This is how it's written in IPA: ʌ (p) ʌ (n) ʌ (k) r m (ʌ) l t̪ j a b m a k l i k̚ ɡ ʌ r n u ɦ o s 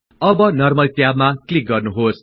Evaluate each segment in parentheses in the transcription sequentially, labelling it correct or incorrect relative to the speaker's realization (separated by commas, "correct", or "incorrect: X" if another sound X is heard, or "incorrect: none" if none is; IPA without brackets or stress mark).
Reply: incorrect: b, correct, incorrect: none, correct